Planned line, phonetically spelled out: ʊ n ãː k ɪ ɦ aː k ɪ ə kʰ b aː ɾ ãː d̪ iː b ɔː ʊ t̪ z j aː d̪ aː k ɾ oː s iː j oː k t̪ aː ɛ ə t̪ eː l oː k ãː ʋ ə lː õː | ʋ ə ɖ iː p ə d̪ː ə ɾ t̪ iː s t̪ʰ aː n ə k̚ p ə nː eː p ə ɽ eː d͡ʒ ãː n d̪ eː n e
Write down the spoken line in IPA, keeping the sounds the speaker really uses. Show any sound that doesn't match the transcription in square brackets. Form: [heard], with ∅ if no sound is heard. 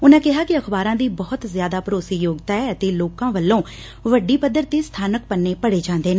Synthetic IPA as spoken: ʊ n ãː k ɪ ɦ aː k ɪ ə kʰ b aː ɾ ãː d̪ iː b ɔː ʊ t̪ z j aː d̪ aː [p] ɾ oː s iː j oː [ɡ] t̪ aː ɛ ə t̪ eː l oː k ãː ʋ ə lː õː | ʋ ə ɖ iː p ə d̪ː ə ɾ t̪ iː s t̪ʰ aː n ə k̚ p ə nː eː p ə ɽ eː d͡ʒ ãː n d̪ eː n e

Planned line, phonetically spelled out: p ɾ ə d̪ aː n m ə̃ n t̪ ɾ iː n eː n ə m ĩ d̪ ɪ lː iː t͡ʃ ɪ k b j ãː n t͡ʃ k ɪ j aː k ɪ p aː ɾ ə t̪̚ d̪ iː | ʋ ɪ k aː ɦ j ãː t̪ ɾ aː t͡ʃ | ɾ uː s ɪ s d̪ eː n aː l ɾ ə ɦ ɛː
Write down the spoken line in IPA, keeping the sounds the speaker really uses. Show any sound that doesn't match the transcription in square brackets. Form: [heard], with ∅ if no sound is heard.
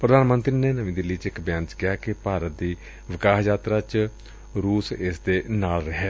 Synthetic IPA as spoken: p ɾ ə d̪ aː n m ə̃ n t̪ ɾ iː n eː n ə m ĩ d̪ ɪ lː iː t͡ʃ ɪ k b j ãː n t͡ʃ k ɪ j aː k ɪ p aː ɾ ə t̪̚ d̪ iː | ʋ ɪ k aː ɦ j [aː] t̪ ɾ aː t͡ʃ | ɾ uː s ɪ s d̪ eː n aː l ɾ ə ɦ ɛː

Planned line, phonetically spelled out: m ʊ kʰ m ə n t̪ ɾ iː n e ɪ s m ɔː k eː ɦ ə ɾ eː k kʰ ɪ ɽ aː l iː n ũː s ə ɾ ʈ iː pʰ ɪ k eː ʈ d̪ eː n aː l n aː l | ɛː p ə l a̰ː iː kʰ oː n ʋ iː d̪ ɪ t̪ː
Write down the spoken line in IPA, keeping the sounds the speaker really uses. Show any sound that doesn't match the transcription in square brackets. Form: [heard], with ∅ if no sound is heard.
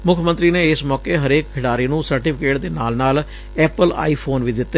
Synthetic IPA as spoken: m ʊ kʰ m ə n t̪ ɾ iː n e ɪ s m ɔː k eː ɦ ə ɾ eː k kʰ ɪ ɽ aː [ɾ] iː n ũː s ə ɾ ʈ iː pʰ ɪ k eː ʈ d̪ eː n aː l n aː l | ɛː p ə l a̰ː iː [pʰ] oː n ʋ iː d̪ ɪ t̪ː

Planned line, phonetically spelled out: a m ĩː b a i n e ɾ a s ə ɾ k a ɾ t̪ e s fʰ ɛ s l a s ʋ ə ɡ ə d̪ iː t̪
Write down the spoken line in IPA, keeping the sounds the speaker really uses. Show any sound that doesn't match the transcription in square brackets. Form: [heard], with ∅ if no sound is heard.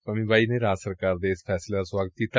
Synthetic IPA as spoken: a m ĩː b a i n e ɾ a s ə ɾ k a ɾ [d̪] e s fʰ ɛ s l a s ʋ [a] ɡ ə [t̪] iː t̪

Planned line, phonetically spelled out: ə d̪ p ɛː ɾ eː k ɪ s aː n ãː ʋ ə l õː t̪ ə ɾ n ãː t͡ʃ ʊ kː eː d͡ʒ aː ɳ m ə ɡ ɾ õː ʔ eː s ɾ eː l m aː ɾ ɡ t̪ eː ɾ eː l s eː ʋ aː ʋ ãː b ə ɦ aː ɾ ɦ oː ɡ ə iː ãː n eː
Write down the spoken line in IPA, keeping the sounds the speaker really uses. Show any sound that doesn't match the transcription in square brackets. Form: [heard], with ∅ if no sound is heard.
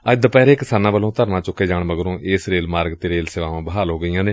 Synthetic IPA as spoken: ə d̪ p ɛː ɾ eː k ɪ s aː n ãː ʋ ə l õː t̪ ə ɾ n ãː t͡ʃ ʊ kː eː d͡ʒ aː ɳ m ə ɡ ɾ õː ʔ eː s ɾ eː l m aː ɾ ɡ t̪ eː ɾ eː l s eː ʋ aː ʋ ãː b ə ɦ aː [l] ɦ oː ɡ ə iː ãː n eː

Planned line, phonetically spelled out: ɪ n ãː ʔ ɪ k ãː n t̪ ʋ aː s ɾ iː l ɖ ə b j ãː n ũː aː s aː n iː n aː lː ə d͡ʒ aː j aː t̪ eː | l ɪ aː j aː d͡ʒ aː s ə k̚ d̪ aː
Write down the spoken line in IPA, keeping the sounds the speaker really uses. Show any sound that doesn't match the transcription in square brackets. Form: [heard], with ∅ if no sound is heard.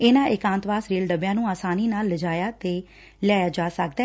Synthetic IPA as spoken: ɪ n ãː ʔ ɪ k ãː n t̪ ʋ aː s ɾ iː l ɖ ə b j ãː n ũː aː s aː n iː n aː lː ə d͡ʒ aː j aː t̪ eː | l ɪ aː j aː d͡ʒ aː s ə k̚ d̪ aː

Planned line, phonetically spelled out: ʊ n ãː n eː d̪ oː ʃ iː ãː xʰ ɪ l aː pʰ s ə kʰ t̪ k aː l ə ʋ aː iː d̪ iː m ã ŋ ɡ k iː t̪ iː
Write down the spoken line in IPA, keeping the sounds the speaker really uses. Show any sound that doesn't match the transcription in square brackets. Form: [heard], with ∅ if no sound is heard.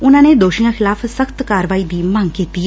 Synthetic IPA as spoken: ʊ n ãː n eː d̪ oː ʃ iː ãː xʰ ɪ l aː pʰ s ə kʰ t̪ k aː [ɾ] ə ʋ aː iː d̪ iː m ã ŋ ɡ k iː t̪ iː

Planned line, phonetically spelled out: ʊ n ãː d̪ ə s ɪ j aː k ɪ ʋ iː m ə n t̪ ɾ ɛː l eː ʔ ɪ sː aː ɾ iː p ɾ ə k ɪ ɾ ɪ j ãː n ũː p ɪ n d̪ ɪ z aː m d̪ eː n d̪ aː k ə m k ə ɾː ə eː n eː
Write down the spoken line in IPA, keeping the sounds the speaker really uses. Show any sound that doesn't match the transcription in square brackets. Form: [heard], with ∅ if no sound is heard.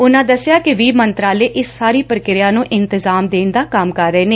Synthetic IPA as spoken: ʊ n ãː d̪ ə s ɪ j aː k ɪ ʋ iː m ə n t̪ ɾ [aː] l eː ʔ ɪ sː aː ɾ iː p ɾ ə k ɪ ɾ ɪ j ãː n ũː [ʔ] ɪ n [t̪] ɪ z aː m d̪ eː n d̪ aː k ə m k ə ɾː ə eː n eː

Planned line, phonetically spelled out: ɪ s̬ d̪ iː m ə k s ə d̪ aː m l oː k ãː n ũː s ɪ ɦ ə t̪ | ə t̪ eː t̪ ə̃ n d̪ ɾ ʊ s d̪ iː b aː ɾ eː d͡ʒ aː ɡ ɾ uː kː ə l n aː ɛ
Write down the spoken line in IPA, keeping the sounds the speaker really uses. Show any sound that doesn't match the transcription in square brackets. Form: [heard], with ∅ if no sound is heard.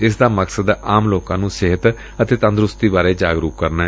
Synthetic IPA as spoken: ɪ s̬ d̪ [aː] m ə k s ə d̪ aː m l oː k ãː n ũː s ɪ ɦ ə t̪ | ə t̪ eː t̪ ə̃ n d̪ ɾ ʊ s [t̪] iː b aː ɾ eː d͡ʒ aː ɡ ɾ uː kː ə [ɾ] n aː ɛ

